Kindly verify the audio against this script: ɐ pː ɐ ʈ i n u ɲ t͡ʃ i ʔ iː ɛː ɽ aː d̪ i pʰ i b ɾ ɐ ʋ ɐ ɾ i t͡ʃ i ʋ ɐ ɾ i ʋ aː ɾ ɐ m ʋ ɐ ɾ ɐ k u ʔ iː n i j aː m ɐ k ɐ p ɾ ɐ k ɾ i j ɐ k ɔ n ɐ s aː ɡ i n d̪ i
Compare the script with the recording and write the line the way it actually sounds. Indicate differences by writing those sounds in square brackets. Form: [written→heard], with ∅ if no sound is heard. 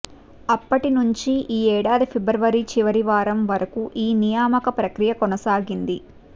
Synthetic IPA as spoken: ɐ pː ɐ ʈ i n u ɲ t͡ʃ i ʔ iː ɛː ɽ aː d̪ i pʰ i b ɾ ɐ ʋ ɐ ɾ i t͡ʃ i ʋ ɐ ɾ i ʋ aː ɾ ɐ m ʋ ɐ ɾ ɐ k u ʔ iː n i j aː m ɐ k ɐ p ɾ ɐ k ɾ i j ɐ k ɔ n ɐ s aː ɡ i n d̪ i